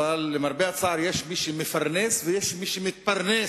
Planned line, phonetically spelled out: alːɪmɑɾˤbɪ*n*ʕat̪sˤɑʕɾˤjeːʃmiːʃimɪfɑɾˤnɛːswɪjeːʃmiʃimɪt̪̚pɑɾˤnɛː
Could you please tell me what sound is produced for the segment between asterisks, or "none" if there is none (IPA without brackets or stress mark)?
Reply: none